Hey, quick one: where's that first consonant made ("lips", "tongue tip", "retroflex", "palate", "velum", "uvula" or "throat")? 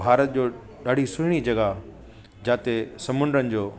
tongue tip